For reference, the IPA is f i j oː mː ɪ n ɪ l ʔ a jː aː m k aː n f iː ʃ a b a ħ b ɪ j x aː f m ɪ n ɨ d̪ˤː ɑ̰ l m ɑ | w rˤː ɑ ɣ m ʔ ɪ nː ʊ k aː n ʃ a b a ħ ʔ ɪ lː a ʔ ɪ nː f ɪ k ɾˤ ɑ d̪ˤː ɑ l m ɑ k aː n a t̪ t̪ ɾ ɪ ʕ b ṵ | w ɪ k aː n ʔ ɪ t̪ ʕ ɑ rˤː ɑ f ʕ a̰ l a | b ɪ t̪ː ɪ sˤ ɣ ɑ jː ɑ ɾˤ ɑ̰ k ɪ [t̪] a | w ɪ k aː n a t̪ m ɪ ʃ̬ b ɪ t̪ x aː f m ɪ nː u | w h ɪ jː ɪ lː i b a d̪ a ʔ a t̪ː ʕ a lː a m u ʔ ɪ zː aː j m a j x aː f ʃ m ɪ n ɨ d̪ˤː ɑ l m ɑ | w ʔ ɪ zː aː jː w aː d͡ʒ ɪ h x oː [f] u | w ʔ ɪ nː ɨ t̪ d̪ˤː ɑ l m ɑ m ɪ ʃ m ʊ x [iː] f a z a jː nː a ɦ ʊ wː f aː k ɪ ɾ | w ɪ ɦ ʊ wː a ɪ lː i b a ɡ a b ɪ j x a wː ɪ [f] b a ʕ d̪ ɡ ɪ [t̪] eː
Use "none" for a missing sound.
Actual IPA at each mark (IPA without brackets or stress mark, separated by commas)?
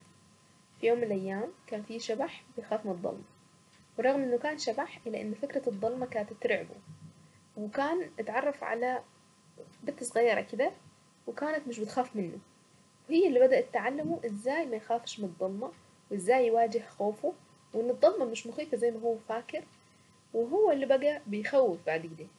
d̪, f, iː, f, d̪